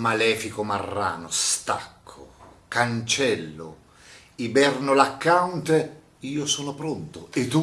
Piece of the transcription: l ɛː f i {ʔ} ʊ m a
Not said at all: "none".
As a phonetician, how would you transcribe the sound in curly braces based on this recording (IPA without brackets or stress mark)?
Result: k